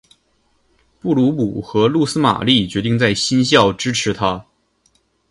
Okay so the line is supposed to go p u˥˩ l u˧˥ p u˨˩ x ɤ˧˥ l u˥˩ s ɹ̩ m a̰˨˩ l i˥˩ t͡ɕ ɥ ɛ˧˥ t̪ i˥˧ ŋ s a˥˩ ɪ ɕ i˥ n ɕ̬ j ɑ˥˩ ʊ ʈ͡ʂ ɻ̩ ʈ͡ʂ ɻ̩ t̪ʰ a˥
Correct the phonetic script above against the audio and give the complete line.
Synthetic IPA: p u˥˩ l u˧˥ p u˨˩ x ɤ˧˥ l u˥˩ s ɹ̩ m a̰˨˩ l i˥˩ t͡ɕ ɥ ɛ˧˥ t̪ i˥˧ ŋ t͡s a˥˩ ɪ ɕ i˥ n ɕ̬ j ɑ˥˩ ʊ ʈ͡ʂ ɻ̩ ʈ͡ʂʰ ɻ̩ t̪ʰ a˥